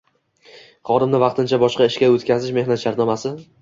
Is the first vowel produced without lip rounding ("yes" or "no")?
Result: no